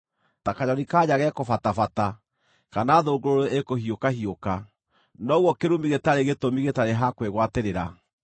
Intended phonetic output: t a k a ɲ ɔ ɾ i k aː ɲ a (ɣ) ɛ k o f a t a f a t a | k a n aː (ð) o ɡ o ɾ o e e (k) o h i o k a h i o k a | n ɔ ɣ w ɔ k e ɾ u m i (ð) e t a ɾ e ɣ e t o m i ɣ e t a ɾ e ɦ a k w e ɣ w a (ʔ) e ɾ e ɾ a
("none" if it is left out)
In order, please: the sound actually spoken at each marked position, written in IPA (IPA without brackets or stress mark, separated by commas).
ɣ, ð, k, ɣ, t